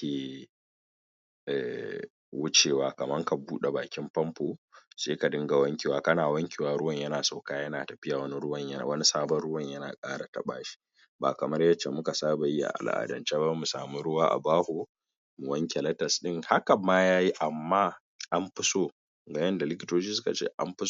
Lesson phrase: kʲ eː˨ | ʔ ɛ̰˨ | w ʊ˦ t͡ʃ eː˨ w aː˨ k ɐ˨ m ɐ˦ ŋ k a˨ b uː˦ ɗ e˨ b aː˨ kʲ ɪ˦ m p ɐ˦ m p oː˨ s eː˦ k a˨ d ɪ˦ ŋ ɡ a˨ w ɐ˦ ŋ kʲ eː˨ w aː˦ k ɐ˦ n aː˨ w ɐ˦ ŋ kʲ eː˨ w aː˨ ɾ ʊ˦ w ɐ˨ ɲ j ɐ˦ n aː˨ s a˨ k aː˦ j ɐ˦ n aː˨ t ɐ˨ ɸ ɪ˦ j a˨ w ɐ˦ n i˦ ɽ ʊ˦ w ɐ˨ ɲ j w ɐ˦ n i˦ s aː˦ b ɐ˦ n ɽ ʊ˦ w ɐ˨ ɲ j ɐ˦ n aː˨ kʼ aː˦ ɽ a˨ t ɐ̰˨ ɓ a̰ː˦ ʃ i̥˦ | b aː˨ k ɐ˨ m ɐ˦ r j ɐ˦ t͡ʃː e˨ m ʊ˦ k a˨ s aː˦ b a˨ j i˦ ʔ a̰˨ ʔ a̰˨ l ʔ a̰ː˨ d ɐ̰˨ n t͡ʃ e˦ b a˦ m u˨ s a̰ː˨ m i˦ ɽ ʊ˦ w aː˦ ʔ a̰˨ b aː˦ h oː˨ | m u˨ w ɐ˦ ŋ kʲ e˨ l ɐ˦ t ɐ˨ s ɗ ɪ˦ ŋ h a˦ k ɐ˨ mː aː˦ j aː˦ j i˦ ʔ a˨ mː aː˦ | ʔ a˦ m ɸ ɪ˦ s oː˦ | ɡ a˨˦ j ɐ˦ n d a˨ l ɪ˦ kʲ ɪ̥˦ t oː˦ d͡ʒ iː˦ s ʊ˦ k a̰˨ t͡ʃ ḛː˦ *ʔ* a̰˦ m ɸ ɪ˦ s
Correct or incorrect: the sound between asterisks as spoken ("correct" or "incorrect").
correct